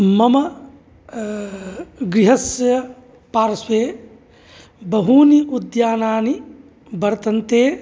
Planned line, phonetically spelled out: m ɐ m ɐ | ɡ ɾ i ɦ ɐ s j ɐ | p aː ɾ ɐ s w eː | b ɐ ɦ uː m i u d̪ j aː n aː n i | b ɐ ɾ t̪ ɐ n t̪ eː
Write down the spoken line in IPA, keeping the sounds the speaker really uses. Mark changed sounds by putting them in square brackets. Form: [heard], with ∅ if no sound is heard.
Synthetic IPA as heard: m ɐ m ɐ | ɡ ɾ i ɦ ɐ s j ɐ | p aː ɾ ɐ s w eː | b ɐ ɦ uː [n] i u d̪ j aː n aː n i | b ɐ ɾ t̪ ɐ n t̪ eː